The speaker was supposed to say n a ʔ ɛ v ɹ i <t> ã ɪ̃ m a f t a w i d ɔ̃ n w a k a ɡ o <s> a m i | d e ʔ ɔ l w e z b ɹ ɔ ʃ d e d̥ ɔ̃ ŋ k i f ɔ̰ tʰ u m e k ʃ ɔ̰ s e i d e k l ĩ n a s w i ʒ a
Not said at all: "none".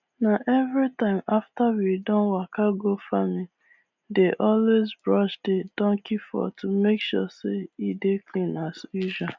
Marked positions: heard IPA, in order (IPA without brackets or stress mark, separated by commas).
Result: t, f